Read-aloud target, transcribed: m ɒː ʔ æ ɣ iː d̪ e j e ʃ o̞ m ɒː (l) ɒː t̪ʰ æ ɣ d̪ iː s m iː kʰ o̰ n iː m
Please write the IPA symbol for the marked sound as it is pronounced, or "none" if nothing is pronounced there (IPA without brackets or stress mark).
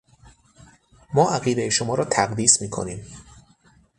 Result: ɾ